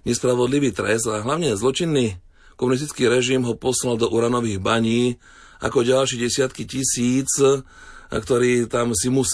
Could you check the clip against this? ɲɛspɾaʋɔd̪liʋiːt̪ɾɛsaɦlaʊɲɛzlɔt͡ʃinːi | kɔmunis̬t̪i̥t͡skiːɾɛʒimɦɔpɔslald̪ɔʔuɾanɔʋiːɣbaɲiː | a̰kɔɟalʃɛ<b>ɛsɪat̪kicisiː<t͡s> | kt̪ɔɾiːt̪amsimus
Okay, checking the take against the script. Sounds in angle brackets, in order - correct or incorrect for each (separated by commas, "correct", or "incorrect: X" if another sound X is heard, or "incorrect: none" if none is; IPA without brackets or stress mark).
incorrect: ɟ, correct